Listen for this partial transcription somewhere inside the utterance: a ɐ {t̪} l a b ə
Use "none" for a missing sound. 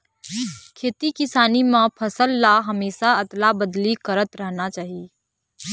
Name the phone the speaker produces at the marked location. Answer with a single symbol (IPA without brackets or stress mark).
t̪